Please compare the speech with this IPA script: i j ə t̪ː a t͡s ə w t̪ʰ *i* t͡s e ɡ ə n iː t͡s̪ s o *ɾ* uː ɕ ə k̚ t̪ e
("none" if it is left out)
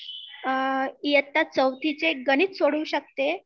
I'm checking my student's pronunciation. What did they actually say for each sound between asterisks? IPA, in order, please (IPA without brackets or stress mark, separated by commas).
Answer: i, ɽ